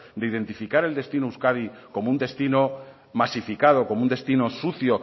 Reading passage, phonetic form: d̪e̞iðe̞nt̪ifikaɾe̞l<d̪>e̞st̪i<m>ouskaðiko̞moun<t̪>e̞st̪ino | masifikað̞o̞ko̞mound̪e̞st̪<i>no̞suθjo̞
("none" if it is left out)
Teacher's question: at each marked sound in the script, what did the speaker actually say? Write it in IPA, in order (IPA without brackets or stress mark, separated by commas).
d̪, n, d̪, i